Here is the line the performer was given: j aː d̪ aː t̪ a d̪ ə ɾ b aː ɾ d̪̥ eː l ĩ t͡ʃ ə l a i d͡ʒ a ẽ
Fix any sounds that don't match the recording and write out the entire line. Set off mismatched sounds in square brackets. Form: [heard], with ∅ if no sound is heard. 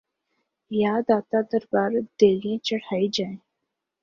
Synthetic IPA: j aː d̪ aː t̪ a d̪ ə ɾ b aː ɾ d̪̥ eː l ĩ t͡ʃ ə [ɽ] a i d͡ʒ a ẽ